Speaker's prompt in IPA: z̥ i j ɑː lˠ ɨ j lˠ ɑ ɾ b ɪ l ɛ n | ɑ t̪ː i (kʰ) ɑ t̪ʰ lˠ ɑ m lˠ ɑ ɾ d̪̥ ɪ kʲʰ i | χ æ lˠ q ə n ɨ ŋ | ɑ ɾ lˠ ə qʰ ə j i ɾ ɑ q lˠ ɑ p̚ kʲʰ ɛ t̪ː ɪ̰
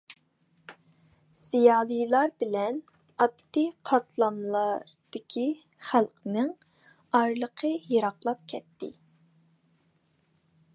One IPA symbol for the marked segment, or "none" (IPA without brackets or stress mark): qʰ